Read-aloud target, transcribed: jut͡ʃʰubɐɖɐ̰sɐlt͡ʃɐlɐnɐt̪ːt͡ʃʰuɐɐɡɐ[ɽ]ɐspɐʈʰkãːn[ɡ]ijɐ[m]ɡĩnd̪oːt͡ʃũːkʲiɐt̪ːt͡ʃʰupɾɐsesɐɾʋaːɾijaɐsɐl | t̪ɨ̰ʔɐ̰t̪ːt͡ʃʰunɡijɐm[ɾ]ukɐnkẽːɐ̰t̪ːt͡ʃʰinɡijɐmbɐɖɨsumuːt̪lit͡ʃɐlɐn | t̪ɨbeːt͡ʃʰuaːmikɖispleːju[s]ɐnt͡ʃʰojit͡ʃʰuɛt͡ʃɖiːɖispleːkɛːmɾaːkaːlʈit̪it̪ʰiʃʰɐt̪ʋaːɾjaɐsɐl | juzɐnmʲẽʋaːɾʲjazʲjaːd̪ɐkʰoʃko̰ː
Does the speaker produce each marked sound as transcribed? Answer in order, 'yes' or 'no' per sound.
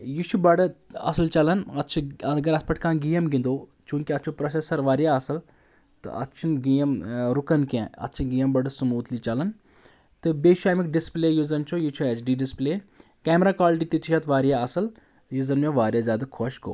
no, yes, yes, yes, no

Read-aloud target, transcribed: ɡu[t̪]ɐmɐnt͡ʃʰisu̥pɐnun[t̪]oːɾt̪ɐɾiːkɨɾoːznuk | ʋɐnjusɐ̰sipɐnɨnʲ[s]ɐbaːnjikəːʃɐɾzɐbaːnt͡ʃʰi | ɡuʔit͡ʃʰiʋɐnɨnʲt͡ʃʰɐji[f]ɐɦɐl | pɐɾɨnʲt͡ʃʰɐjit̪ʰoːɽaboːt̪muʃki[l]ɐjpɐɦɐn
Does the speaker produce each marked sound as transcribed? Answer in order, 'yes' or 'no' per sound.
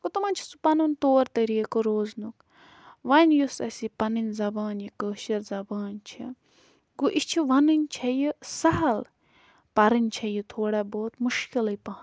yes, yes, no, no, yes

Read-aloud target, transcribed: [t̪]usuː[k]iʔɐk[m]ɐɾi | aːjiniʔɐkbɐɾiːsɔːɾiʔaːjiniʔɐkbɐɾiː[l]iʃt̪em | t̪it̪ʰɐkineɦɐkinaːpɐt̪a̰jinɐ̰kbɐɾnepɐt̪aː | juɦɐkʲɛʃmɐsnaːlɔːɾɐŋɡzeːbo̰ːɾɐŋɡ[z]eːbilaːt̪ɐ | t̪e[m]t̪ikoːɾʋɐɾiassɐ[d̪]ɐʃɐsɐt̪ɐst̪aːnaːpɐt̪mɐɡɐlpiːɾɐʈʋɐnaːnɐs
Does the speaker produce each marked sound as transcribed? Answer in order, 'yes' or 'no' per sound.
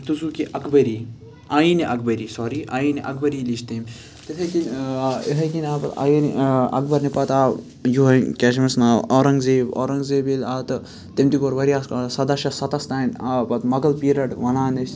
yes, yes, no, yes, yes, yes, yes

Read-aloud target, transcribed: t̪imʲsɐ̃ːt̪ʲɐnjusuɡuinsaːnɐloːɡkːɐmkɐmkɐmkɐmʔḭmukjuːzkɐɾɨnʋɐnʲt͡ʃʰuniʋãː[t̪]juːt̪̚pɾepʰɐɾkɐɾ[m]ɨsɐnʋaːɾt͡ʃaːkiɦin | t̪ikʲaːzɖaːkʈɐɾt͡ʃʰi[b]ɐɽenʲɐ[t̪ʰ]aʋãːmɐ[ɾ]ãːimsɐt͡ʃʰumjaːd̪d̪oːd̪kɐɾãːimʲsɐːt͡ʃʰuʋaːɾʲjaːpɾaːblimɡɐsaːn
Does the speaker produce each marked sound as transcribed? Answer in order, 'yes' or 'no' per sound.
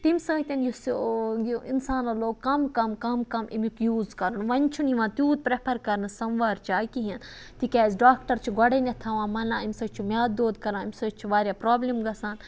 yes, no, no, yes, no

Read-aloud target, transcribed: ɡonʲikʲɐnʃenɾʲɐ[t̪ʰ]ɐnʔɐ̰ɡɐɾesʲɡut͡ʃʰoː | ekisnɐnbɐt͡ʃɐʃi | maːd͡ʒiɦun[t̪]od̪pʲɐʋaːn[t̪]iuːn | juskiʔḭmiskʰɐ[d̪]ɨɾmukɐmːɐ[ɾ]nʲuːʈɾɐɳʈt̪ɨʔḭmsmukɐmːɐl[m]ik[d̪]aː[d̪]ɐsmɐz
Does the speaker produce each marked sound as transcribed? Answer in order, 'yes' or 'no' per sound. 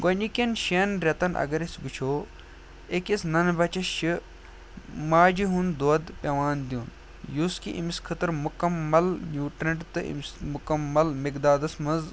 no, no, no, no, no, yes, yes, yes

